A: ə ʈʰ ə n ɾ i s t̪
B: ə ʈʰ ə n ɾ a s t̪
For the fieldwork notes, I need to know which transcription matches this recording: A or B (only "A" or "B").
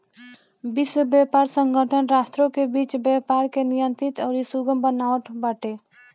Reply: B